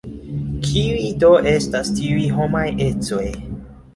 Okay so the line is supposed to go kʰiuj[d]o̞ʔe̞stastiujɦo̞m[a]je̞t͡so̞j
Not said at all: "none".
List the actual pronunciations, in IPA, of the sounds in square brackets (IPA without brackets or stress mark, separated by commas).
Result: d, a